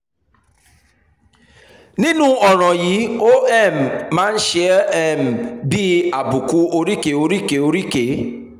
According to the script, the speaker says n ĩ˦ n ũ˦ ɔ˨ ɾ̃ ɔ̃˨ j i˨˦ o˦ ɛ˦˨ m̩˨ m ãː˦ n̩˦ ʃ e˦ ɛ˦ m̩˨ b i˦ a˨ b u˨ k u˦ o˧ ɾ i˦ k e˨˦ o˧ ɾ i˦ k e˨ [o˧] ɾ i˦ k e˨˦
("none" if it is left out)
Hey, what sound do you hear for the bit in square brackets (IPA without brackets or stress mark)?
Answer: o˧